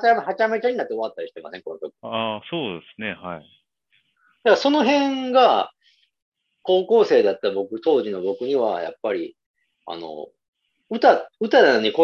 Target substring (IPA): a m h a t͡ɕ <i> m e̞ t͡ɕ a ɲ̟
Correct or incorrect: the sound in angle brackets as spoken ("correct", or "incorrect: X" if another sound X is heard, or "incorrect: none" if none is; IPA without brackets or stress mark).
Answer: incorrect: a